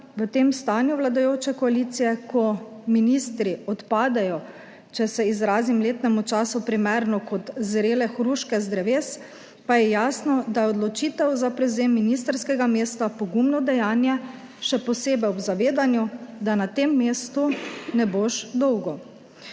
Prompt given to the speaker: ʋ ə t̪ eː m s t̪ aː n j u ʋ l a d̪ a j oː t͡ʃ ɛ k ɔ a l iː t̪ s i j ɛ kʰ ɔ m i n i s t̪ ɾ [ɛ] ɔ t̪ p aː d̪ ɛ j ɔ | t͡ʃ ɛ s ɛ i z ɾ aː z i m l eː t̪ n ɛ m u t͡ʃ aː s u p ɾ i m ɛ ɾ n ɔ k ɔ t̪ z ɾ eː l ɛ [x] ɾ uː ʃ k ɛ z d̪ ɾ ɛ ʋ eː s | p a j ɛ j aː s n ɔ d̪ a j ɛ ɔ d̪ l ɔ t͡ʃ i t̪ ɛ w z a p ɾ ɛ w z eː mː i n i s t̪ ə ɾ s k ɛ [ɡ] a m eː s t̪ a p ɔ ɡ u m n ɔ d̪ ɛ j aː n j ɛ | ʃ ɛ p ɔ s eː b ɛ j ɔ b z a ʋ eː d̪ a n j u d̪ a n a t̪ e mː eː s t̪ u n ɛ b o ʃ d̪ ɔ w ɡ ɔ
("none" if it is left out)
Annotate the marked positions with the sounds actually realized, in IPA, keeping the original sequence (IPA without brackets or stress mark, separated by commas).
i, x, ɡ